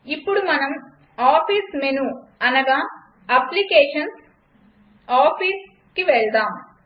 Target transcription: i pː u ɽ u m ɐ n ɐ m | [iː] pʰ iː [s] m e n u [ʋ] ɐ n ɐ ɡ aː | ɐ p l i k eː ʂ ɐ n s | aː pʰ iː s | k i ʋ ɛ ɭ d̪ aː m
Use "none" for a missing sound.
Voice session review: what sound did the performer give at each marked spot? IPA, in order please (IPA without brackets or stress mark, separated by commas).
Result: aː, s, none